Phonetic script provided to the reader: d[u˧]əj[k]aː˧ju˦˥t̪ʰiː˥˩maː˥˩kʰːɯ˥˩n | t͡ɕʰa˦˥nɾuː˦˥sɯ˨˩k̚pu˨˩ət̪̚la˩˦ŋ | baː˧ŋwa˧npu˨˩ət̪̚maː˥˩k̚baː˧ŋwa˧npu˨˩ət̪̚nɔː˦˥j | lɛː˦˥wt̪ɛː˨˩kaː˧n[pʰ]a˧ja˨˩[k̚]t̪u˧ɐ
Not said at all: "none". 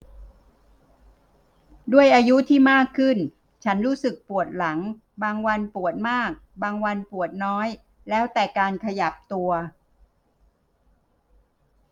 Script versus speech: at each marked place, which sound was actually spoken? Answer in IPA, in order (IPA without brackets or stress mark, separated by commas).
u˥˩, ʔ, kʰ, p̚